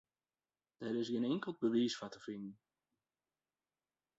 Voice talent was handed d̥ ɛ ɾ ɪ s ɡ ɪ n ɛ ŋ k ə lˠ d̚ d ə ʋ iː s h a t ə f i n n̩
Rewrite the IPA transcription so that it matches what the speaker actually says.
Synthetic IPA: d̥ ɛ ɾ ɪ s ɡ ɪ n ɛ ŋ k ə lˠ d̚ b ə ʋ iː s f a t ə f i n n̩